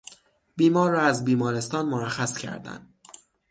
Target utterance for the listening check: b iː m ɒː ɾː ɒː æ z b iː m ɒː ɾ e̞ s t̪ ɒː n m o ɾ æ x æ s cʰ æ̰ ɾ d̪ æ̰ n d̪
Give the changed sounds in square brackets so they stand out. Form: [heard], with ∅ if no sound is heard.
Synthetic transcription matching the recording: b iː m ɒː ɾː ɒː æ z b iː m ɒː ɾ e̞ s t̪ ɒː n m o ɾ æ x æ s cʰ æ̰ ɾ d̪ æ̰ n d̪